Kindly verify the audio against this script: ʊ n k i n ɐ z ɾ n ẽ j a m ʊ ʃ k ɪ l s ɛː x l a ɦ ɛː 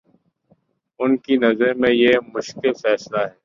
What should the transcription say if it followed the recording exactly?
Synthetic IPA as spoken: ʊ n k i n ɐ z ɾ m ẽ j e m ʊ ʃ k ɪ l f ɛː s l a ɦ ɛː